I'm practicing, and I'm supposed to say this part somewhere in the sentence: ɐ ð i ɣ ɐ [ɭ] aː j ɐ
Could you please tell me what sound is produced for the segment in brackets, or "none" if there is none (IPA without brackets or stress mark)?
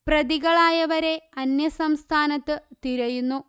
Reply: ɭ